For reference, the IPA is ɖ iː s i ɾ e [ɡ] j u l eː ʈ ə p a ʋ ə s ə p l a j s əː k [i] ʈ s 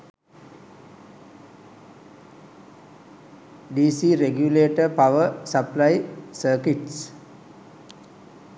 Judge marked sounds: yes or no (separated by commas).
yes, yes